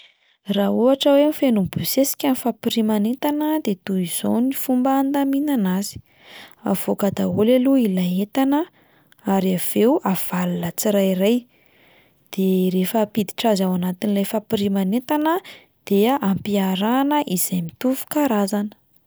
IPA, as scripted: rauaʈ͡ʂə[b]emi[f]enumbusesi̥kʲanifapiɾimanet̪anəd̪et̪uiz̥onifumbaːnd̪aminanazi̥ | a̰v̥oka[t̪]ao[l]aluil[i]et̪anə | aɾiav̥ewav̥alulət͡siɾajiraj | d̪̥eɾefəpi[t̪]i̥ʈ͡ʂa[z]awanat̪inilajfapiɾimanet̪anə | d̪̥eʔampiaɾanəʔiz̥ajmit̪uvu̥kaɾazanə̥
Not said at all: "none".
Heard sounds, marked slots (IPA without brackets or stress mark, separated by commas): w, f, d̪, l, a, d̪, z